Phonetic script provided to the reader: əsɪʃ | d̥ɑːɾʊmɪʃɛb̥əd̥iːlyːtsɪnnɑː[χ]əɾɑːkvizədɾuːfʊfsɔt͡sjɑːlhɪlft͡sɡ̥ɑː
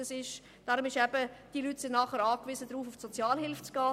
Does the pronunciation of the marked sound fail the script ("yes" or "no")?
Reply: no